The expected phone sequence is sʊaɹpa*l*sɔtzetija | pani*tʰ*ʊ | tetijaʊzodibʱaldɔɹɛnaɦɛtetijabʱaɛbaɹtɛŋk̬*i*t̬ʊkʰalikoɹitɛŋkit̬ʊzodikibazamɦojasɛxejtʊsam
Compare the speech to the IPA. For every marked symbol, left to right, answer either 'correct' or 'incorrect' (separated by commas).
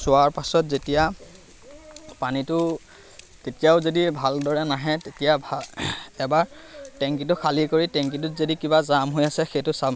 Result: incorrect, incorrect, correct